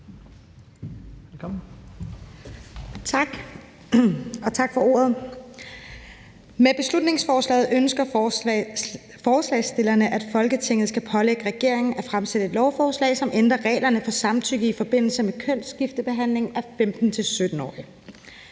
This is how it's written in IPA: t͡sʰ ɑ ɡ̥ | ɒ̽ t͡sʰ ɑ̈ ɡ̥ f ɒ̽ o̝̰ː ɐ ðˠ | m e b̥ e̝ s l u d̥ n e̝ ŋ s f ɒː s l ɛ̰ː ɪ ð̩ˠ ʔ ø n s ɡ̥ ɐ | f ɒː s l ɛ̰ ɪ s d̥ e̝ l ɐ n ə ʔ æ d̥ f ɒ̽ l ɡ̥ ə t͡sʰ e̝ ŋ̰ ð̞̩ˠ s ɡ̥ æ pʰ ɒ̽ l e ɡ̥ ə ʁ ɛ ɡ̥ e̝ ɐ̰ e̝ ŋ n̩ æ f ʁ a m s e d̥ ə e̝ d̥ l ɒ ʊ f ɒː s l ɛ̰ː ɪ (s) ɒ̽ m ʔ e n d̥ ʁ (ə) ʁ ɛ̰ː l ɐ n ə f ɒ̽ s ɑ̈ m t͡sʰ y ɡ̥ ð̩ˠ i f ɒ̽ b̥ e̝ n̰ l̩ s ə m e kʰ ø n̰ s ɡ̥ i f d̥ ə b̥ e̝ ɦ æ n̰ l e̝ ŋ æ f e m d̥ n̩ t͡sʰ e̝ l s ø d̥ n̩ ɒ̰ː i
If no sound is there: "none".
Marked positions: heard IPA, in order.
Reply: s, ɐ

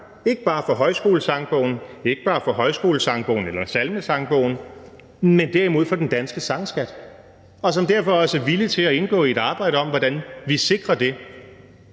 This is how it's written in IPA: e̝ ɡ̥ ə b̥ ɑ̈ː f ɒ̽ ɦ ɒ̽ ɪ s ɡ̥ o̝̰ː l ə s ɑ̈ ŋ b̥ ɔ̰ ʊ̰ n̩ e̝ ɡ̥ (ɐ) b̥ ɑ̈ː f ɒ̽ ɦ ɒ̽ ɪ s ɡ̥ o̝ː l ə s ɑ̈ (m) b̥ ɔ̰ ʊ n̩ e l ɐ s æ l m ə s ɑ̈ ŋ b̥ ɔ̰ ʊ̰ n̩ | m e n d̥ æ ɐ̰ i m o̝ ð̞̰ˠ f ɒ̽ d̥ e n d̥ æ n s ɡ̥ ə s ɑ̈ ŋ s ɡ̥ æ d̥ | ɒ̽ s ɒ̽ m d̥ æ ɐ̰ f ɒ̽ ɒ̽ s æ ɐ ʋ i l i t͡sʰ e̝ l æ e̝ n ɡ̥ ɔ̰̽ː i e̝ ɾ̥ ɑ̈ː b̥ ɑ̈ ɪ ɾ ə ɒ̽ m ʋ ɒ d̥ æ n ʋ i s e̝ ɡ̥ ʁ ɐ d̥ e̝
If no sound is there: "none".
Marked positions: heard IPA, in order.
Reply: ə, ŋ

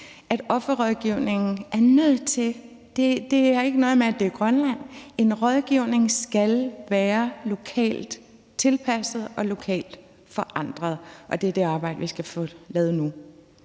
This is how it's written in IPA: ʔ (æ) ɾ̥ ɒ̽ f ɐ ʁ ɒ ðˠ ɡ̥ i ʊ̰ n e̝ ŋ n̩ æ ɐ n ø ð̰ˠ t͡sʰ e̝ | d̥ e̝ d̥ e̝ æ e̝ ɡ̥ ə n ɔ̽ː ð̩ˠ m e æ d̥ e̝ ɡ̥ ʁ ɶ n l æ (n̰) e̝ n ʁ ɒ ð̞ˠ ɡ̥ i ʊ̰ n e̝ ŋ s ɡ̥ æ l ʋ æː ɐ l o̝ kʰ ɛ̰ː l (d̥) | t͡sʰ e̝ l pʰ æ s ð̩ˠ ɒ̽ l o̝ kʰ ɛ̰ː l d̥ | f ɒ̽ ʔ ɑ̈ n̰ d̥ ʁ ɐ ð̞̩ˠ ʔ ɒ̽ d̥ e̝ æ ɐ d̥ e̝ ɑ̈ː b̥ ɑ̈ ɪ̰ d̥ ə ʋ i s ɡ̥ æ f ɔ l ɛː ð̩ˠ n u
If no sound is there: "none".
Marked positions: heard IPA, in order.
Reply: æ, n̰, d̥

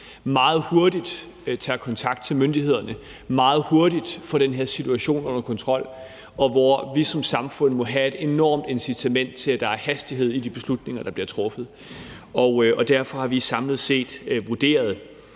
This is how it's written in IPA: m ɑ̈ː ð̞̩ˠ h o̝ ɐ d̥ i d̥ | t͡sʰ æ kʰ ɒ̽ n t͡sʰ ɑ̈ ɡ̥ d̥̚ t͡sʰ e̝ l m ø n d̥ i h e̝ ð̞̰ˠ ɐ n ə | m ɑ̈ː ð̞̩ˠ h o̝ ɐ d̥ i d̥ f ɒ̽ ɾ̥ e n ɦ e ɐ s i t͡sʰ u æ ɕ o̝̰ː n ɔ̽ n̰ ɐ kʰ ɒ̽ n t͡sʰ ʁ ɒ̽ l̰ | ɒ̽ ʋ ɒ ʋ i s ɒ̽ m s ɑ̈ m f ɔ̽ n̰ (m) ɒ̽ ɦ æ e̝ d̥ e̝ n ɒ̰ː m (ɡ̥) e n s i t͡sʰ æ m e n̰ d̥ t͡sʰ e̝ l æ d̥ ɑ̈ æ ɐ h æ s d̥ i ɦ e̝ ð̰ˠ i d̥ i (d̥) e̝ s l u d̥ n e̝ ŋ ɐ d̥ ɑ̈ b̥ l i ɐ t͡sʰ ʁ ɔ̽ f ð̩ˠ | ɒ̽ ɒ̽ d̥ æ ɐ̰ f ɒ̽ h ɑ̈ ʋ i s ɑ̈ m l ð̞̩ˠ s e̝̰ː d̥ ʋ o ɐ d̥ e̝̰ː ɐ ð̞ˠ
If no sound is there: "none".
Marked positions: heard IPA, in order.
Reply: m, d̥, b̥

